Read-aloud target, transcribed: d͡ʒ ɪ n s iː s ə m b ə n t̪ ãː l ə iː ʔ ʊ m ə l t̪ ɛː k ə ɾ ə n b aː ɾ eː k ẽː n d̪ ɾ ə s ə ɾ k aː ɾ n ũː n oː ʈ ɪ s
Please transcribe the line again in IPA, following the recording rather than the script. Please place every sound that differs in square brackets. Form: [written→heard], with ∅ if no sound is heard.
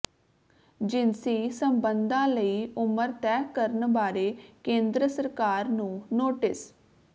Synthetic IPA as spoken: d͡ʒ ɪ n s iː s ə m b ə n [t̪→d̪] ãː l ə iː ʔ ʊ m ə [l→ɾ] t̪ ɛː k ə ɾ ə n b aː ɾ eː k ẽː n d̪ ɾ ə s ə ɾ k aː ɾ n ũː n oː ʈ ɪ s